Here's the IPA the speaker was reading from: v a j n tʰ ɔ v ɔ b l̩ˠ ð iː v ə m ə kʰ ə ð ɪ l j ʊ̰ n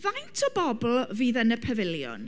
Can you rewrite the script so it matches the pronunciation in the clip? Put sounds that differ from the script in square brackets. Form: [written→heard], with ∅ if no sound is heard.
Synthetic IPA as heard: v a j n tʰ ɔ [v→b] ɔ b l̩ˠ [ð→v] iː [v→ð] ə [m→n] ə [kʰ→pʰ] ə [ð→v] ɪ l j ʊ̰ n